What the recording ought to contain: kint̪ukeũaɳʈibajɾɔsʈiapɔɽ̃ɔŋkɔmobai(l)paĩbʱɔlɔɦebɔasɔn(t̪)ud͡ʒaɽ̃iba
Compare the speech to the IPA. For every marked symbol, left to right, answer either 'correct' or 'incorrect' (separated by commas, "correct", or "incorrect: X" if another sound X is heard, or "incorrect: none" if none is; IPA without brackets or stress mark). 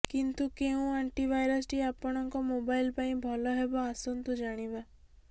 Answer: correct, correct